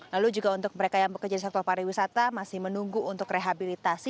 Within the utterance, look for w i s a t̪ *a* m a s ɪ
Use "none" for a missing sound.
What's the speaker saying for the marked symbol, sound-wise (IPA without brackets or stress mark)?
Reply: a